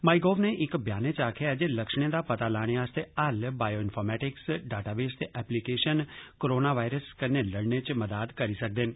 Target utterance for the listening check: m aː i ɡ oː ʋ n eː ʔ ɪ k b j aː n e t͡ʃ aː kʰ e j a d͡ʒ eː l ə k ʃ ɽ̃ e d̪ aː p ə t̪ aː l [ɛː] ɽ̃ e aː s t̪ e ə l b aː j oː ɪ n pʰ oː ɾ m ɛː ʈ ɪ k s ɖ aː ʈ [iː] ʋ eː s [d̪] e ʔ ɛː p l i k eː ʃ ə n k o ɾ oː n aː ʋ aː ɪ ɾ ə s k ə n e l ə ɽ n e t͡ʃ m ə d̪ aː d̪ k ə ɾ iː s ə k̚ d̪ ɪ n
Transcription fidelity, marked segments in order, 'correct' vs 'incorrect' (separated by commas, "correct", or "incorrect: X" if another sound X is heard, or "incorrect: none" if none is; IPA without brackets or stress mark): incorrect: aː, incorrect: aː, incorrect: t̪